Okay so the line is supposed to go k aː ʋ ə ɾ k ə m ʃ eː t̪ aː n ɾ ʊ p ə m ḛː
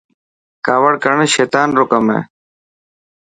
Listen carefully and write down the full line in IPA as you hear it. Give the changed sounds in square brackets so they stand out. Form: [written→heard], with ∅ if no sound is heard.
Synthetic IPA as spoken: k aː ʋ ə [ɾ→ɽ] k ə [m→ɳ] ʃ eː t̪ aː n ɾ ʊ [p→k] ə m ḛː